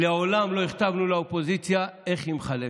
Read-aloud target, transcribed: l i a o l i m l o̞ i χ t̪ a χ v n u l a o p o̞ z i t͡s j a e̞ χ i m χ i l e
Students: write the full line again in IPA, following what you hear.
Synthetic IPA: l e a o l a m l o̞ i χ t̪ a v n u l a o p o̞ z i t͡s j a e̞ χ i m χ a l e